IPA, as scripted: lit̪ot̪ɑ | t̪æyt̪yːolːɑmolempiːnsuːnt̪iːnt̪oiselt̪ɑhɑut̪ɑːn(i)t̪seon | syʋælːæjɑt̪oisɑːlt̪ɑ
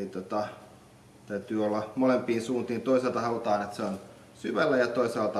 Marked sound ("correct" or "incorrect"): incorrect